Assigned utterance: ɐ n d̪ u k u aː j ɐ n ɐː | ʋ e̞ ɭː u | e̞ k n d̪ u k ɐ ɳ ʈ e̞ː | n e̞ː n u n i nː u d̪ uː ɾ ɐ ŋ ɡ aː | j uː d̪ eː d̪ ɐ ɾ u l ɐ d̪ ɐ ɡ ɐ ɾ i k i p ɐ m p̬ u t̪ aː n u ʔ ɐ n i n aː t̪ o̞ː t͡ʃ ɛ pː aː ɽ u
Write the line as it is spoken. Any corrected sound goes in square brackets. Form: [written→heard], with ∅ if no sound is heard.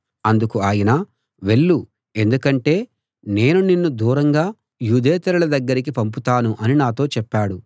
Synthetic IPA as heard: ɐ n d̪ u k u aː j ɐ n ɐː | ʋ e̞ ɭː u | e̞ [k→∅] n d̪ u k ɐ ɳ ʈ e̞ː | n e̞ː n u n i nː u d̪ uː ɾ ɐ ŋ ɡ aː | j uː d̪ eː [d̪→t̪] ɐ ɾ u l ɐ d̪ ɐ [ɡ→ɡː] ɐ ɾ i k i p ɐ m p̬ u t̪ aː n u ʔ ɐ n i n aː t̪ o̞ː t͡ʃ ɛ pː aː ɽ u